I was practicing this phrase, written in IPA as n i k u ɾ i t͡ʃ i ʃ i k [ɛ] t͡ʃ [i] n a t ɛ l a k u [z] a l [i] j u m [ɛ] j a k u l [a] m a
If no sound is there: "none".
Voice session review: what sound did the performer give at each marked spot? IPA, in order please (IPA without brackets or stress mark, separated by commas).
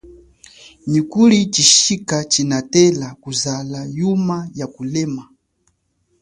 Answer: a, i, z, a, a, ɛ